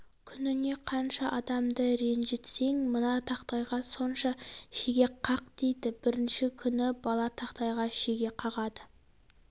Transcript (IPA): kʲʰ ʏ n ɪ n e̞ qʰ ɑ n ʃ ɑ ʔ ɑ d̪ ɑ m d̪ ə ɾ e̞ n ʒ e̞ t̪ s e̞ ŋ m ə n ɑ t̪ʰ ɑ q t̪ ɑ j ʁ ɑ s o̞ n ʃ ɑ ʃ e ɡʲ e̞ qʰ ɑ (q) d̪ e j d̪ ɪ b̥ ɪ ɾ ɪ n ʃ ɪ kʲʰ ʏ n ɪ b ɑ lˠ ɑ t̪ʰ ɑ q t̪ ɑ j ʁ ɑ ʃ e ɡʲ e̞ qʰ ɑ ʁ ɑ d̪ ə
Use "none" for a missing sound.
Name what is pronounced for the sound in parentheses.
q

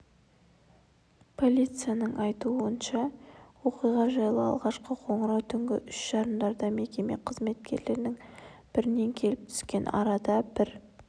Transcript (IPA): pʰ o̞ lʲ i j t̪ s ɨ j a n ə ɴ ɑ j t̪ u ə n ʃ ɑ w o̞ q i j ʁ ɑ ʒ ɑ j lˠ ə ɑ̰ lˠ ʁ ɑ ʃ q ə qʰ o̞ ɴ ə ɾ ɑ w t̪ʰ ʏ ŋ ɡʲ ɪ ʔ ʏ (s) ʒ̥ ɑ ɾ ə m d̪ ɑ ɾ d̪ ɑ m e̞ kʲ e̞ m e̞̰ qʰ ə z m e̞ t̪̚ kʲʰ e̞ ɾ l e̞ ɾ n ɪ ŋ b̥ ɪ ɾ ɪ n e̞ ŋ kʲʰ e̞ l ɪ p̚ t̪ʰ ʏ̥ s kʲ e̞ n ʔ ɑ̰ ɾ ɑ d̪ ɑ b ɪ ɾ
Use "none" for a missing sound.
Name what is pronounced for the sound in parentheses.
ʃ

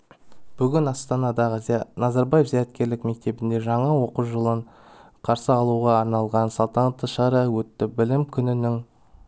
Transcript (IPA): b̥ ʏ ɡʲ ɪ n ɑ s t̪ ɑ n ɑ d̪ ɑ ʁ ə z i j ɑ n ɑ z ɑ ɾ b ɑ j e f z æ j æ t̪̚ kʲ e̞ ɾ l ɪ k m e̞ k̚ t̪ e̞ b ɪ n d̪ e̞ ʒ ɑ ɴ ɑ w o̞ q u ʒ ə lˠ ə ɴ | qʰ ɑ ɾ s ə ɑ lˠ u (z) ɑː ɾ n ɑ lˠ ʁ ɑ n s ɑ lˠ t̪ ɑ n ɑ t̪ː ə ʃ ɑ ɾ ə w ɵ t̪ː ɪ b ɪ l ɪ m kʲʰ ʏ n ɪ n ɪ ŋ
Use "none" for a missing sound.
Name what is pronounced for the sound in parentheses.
ʁ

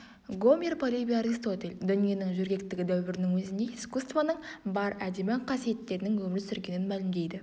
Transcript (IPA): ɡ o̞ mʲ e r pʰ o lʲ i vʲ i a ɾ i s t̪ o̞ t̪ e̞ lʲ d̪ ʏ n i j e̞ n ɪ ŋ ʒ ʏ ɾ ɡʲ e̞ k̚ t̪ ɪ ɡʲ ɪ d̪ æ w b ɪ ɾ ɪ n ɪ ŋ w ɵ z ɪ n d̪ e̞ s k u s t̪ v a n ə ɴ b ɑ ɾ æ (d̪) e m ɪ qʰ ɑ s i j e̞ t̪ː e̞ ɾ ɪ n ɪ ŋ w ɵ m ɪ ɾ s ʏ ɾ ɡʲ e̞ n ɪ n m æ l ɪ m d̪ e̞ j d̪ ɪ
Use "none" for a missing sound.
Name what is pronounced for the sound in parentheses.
d̪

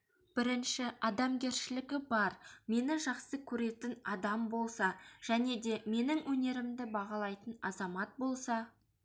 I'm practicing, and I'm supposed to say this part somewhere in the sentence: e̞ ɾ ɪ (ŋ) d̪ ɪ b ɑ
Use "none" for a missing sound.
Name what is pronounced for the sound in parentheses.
m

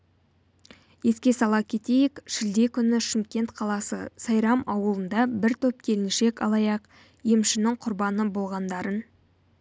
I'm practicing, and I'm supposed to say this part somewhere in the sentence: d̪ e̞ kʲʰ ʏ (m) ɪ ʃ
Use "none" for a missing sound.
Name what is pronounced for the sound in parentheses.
n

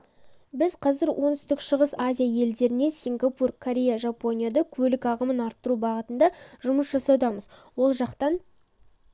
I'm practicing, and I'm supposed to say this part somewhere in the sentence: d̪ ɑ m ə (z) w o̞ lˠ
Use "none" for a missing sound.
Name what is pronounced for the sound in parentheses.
z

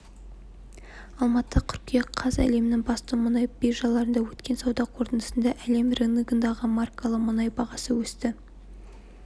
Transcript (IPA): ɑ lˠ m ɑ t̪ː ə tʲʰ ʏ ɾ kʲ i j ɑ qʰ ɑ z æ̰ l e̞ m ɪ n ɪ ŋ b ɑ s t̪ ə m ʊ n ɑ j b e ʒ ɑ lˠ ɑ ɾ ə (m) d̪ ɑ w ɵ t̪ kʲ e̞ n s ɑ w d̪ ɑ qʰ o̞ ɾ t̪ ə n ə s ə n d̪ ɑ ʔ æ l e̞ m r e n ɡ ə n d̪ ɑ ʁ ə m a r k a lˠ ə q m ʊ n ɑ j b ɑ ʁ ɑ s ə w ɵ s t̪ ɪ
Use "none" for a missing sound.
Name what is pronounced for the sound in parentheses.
n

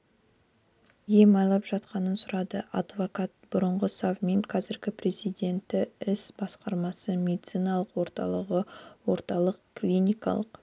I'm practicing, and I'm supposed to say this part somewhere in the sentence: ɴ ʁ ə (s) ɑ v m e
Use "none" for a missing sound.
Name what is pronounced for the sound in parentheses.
s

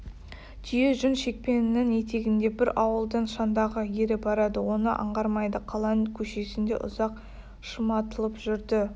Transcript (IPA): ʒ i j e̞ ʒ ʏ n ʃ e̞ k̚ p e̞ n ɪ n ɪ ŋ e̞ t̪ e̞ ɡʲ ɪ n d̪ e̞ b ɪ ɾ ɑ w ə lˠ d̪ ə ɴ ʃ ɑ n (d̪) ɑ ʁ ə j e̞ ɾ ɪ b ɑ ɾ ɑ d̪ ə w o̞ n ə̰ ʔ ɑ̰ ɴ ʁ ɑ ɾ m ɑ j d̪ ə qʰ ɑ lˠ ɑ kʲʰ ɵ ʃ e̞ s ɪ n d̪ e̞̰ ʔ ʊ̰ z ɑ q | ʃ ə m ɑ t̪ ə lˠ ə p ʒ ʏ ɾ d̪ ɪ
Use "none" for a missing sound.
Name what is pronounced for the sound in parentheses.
d̪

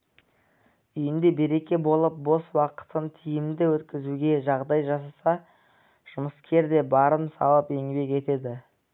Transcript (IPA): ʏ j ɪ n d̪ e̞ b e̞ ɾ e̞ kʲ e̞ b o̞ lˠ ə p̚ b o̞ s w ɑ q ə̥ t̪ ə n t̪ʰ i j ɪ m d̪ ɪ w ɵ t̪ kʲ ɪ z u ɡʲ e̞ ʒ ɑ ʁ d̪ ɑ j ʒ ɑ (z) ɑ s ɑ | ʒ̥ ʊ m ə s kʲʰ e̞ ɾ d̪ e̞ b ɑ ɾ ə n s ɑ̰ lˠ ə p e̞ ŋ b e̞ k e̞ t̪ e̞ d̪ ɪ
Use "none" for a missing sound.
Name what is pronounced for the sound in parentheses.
s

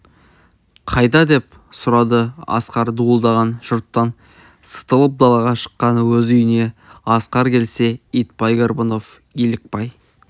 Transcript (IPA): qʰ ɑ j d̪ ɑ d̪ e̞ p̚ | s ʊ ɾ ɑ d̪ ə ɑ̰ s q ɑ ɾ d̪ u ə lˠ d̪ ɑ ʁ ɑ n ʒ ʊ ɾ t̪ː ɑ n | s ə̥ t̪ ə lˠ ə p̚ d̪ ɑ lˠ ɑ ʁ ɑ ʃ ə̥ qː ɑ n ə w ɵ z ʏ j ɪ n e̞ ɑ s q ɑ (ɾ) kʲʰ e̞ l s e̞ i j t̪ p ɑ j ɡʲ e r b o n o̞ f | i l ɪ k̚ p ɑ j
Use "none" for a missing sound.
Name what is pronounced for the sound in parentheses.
ɾ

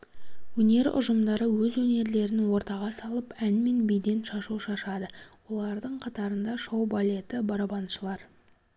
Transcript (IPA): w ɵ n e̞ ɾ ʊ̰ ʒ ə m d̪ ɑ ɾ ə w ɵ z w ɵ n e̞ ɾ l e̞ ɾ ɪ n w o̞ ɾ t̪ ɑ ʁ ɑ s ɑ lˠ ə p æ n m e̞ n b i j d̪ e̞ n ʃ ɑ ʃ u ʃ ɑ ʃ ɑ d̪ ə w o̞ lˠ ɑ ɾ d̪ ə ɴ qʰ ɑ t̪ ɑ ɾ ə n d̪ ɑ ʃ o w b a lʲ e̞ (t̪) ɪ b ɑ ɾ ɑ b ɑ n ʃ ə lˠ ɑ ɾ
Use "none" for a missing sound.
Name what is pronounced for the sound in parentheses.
t̪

